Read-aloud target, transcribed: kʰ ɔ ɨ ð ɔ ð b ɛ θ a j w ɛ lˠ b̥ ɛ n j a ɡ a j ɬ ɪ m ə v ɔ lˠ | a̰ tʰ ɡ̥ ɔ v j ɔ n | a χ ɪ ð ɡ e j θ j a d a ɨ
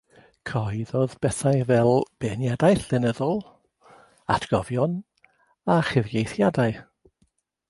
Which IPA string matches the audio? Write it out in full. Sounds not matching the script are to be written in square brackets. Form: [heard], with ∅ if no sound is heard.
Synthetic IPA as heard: kʰ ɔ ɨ ð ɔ ð b ɛ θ a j [v] ɛ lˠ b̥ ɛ n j a [d] a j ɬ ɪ [n] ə [ð] ɔ lˠ | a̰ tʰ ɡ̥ ɔ v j ɔ n | a χ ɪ [v] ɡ e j θ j a d a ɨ